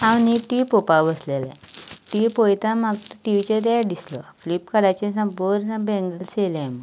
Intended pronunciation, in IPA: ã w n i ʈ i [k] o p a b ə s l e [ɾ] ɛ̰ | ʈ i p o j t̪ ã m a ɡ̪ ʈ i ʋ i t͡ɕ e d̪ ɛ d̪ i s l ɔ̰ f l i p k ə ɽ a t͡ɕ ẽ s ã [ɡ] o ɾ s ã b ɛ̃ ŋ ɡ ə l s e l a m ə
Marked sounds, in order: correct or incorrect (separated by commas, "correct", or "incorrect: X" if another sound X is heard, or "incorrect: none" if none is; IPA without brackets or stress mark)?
incorrect: p, incorrect: l, incorrect: b